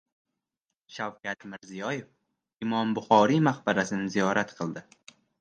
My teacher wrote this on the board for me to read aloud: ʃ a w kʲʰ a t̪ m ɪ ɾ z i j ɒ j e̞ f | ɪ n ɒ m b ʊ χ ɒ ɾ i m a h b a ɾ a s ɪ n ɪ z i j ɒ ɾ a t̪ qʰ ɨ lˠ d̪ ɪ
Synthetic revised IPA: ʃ a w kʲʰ a t̪ m ɪ ɾ z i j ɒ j e̞ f | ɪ m ɒ m b ʊ χ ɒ ɾ i m a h b a ɾ a s ɪ n ɪ z i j ɒ ɾ a t̪ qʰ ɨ lˠ d̪ ɪ